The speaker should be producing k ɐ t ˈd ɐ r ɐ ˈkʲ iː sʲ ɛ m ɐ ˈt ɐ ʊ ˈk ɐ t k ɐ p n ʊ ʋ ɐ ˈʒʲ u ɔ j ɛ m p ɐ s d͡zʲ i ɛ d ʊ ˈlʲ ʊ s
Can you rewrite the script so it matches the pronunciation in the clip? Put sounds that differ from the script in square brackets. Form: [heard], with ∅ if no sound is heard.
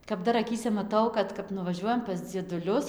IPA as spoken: k ɐ [p] ˈd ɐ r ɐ ˈkʲ iː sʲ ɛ m ɐ ˈt ɐ ʊ ˈk ɐ t k ɐ p n ʊ ʋ ɐ ˈʒʲ u ɔ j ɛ m p ɐ s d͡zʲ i ɛ d ʊ ˈlʲ ʊ s